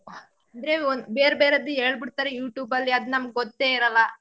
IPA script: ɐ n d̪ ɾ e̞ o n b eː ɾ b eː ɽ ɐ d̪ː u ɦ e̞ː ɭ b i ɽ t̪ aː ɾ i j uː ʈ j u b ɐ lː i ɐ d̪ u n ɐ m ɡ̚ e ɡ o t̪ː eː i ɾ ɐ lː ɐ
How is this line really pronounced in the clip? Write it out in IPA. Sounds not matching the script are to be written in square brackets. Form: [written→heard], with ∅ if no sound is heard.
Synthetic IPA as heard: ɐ n d̪ ɾ e̞ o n b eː ɾ b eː [ɽ→ɾ] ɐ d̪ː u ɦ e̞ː ɭ b i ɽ t̪ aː ɾ [i→e] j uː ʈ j [u→uː] b ɐ lː i ɐ d̪ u n ɐ m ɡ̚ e ɡ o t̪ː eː i ɾ ɐ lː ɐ